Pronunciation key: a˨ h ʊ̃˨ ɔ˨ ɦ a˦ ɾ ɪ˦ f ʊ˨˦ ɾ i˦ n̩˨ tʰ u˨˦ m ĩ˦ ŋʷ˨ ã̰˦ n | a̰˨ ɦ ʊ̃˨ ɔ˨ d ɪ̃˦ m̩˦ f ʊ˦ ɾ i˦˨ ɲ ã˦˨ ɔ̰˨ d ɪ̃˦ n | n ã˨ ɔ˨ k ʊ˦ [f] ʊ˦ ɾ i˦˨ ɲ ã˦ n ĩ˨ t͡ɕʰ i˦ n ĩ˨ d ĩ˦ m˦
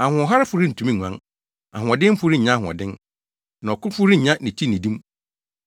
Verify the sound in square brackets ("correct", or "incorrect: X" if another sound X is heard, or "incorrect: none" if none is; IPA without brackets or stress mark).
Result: correct